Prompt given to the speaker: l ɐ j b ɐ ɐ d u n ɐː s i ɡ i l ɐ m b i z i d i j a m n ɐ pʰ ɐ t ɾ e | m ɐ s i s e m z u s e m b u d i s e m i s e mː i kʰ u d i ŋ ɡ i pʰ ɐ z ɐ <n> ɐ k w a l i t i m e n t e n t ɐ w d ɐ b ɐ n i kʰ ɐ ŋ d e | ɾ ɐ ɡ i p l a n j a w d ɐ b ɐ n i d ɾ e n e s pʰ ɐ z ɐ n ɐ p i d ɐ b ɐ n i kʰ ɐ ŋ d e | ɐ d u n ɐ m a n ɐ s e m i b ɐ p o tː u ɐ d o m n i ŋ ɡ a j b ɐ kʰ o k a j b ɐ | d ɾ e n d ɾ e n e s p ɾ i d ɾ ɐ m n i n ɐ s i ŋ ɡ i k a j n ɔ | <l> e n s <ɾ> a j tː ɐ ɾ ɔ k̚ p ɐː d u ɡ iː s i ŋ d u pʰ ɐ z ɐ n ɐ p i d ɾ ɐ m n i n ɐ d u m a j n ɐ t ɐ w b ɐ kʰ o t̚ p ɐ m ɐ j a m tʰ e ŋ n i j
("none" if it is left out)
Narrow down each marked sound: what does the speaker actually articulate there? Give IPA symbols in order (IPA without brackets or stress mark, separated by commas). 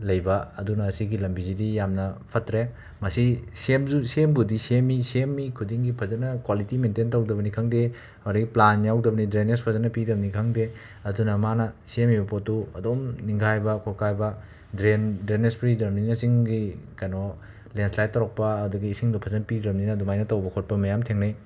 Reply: n, l, l